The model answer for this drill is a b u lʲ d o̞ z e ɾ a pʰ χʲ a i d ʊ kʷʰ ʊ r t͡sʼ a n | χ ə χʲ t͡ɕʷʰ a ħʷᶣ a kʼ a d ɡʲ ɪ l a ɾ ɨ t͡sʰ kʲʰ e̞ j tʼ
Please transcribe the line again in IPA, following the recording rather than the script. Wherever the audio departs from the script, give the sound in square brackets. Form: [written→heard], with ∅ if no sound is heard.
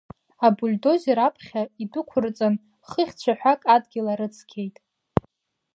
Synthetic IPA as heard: a b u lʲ d o̞ z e ɾ a pʰ χʲ a i d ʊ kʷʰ ʊ r t͡sʼ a n | χ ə χʲ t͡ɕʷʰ a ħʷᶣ a kʼ a d ɡʲ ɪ l a ɾ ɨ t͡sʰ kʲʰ e̞ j tʼ